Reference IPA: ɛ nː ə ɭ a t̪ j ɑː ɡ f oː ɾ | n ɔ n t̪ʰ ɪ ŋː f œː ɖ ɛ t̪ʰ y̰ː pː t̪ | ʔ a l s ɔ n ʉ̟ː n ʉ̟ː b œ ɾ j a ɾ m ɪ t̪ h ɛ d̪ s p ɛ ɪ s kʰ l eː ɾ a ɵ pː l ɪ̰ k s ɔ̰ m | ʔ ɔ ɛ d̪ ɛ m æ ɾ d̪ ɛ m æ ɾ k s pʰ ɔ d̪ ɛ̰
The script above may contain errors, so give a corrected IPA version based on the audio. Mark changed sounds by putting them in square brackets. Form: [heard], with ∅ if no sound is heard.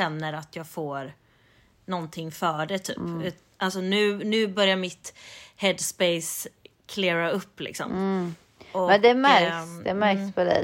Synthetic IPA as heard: ɛ nː ə [ɾ] a t̪ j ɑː ɡ f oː ɾ | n ɔ n t̪ʰ ɪ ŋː f œː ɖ ɛ t̪ʰ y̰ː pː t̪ | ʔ a l s ɔ n ʉ̟ː n ʉ̟ː b œ ɾ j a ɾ m ɪ t̪ h ɛ d̪ s p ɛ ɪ s kʰ l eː ɾ a ɵ pː l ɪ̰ k s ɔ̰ m | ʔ ɔ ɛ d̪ ɛ m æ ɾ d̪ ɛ m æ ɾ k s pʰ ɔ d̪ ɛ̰